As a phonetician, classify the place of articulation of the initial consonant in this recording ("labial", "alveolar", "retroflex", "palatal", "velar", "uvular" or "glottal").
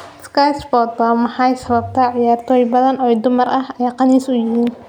alveolar